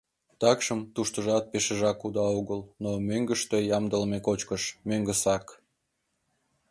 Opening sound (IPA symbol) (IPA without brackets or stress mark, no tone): t̪